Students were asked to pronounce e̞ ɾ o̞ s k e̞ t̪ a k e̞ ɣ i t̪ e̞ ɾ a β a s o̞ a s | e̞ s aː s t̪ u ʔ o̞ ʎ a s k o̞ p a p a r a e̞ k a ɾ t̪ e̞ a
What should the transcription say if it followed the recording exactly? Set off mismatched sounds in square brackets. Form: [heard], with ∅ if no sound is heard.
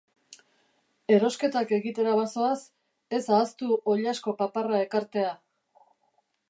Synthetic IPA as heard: e̞ ɾ o̞ s k e̞ t̪ a k e̞ ɣ i t̪ e̞ ɾ a β a s o̞ a s | e̞ s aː s t̪ u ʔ o̞ ʎ a s k o̞ p a p a r a e̞ k a ɾ t̪ e̞ a

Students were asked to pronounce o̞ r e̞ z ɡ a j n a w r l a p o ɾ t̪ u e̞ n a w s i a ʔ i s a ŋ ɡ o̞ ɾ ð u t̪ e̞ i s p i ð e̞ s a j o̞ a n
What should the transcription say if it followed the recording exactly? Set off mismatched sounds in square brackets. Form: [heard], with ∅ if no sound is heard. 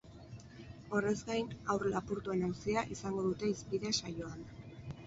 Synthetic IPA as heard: o̞ r e̞ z ɡ a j n a w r l a p [u] ɾ t̪ u e̞ n a w s i a ʔ i s a ŋ ɡ o̞ [∅] ð u t̪ e̞ i s p i ð e̞ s a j o̞ a n

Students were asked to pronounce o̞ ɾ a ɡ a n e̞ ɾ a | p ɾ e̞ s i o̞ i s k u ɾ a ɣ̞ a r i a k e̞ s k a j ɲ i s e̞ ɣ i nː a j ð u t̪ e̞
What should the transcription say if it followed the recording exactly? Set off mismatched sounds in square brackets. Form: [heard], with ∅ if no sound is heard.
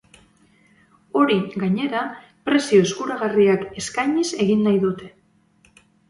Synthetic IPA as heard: o̞ ɾ [i] ɡ a [ɲ] e̞ ɾ a | p ɾ e̞ s i o̞ [e] s k u ɾ a ɣ̞ a r i a k e̞ s k a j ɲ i s e̞ ɣ i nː a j ð u t̪ e̞

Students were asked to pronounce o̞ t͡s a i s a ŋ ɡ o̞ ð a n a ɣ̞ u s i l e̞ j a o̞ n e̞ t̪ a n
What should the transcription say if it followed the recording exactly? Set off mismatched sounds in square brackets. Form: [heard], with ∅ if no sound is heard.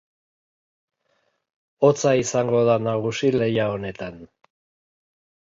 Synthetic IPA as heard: o̞ t͡s a i s a ŋ ɡ o̞ ð a n a ɣ̞ u s i l e̞ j a o̞ n e̞ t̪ a n

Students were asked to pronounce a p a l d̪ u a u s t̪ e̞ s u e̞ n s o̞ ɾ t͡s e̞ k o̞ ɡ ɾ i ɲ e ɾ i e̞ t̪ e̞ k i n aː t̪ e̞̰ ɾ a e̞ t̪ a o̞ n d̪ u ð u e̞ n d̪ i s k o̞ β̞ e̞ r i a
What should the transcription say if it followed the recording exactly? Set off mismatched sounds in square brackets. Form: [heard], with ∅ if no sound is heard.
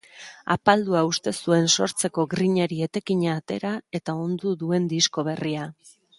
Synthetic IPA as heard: a p a l d̪ u a u s t̪ e̞ s u e̞ n s o̞ ɾ t͡s e̞ k o̞ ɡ ɾ i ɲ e ɾ i e̞ t̪ e̞ k i [ɲ] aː t̪ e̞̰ ɾ a e̞ t̪ a o̞ n d̪ u ð u e̞ n d̪ i s k o̞ β̞ e̞ r i a

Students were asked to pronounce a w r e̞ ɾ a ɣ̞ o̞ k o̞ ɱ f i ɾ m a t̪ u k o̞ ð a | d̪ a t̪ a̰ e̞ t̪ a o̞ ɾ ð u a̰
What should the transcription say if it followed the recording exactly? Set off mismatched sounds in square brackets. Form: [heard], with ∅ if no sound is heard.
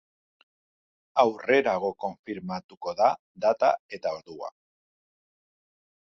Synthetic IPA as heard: a w r e̞ ɾ a ɣ̞ o̞ k o̞ ɱ f i ɾ m a t̪ u k o̞ ð a | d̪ a t̪ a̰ e̞ t̪ a o̞ ɾ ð u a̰

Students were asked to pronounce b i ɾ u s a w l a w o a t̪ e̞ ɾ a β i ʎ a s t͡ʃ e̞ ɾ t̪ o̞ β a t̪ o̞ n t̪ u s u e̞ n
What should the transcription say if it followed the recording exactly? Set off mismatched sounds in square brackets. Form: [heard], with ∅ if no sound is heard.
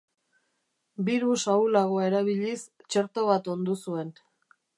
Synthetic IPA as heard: b i ɾ u s a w l a [ɣ] o a [∅] e̞ ɾ a β i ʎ [i] s t͡ʃ e̞ ɾ t̪ o̞ β a t̪ o̞ n [d̪] u s u e̞ n

